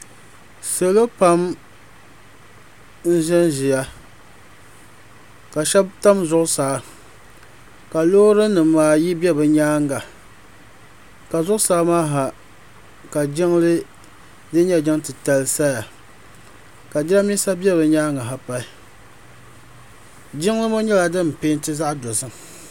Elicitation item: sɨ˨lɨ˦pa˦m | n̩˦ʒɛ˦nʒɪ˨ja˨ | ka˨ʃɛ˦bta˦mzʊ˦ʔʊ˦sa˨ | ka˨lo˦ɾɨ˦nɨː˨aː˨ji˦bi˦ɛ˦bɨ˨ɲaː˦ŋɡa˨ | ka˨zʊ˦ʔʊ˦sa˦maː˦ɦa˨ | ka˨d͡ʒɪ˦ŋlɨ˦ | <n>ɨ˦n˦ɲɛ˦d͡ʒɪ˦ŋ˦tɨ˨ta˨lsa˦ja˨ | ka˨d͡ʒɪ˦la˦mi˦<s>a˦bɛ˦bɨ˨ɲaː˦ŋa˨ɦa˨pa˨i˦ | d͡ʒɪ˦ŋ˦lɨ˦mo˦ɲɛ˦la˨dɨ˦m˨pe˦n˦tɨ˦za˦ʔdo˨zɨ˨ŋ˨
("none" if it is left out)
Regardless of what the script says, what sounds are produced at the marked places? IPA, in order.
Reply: d, s

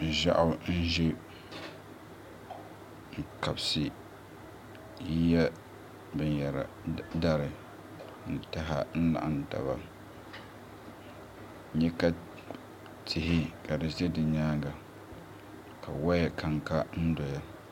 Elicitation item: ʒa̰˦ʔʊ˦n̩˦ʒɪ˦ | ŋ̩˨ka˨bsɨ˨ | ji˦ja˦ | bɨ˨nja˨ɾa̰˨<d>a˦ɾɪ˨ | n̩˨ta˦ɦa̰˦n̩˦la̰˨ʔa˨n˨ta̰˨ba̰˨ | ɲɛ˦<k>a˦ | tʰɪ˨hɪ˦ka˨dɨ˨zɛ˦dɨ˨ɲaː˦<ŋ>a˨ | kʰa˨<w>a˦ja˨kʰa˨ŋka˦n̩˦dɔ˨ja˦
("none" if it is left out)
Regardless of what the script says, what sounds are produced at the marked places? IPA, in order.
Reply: d, k, ɡ, w

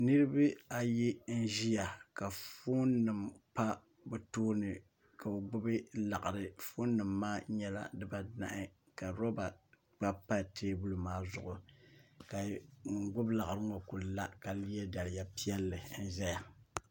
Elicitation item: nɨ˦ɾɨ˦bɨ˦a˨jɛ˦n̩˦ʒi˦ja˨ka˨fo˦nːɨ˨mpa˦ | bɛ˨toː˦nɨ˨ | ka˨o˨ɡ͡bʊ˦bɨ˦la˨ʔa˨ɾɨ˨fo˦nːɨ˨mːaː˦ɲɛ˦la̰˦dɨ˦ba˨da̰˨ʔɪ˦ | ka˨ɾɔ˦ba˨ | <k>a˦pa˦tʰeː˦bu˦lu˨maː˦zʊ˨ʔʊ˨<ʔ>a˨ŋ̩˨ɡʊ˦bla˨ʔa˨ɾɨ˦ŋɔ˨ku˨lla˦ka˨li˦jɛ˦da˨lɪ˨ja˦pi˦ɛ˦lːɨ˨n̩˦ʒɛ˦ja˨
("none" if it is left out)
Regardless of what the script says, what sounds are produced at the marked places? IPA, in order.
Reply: k͡p, k

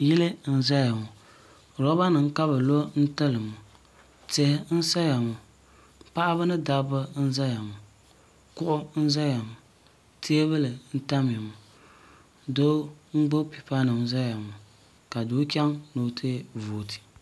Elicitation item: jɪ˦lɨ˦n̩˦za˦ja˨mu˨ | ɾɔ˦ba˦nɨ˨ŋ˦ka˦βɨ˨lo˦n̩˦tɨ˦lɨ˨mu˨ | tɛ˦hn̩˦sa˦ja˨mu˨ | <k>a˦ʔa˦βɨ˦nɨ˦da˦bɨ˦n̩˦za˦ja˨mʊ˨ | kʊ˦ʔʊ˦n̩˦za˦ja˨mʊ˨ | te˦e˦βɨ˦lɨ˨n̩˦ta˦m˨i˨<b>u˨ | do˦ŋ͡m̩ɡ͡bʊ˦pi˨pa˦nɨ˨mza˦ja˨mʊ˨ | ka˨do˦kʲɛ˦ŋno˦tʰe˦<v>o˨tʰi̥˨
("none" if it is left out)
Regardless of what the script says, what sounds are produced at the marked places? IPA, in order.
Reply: p, m, v

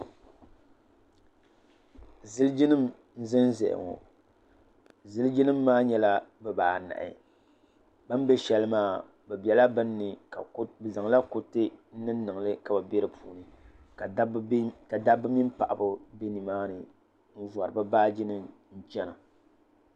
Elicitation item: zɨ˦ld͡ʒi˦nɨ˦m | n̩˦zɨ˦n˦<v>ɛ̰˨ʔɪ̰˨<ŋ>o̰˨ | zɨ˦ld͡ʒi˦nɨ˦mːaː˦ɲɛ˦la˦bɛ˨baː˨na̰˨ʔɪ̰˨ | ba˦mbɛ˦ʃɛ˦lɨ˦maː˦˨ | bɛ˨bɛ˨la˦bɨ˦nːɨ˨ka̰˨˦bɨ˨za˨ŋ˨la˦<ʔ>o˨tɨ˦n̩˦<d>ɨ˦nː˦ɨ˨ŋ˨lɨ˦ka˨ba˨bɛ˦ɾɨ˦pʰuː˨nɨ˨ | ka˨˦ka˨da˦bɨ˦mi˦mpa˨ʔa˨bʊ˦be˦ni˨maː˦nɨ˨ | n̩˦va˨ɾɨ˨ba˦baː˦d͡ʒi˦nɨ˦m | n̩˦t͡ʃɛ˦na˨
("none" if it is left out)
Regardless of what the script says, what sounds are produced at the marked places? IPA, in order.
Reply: z, ŋ, k, n

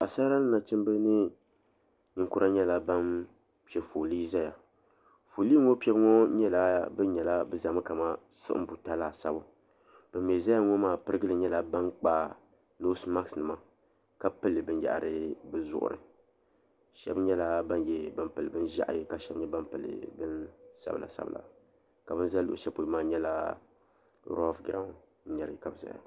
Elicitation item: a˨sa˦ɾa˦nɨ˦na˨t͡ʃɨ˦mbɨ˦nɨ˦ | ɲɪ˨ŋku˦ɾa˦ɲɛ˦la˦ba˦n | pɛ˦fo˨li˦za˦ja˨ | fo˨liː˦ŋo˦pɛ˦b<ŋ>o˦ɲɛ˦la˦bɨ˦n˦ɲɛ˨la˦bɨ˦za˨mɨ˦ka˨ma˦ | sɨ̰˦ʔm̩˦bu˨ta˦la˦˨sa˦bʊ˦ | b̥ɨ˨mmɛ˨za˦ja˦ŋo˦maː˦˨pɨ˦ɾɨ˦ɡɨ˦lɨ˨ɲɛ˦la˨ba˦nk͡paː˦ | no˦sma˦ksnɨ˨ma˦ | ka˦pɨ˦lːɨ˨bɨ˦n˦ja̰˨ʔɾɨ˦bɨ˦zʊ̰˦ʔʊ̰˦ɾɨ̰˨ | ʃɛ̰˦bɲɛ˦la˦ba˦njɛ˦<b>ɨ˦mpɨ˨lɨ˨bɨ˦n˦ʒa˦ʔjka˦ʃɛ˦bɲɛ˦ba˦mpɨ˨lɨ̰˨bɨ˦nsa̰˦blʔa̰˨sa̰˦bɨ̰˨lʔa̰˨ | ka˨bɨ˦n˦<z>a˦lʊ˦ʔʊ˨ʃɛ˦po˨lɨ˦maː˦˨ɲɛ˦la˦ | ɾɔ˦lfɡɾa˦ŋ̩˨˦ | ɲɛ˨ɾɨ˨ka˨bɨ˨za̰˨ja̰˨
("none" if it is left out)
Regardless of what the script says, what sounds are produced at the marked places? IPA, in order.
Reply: ŋ, b, z

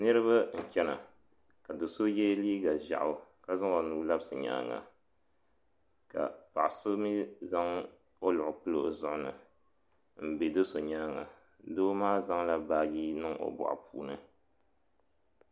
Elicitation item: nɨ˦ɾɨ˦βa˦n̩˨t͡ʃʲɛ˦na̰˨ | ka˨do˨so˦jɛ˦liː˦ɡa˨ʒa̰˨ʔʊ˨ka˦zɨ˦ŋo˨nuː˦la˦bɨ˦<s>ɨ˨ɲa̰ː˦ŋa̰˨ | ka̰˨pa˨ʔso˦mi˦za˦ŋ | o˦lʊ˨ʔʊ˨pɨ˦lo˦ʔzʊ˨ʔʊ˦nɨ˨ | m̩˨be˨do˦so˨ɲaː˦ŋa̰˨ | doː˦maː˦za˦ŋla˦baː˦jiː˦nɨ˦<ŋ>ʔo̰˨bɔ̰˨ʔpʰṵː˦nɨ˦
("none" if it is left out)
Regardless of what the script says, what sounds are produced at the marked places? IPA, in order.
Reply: s, ŋ

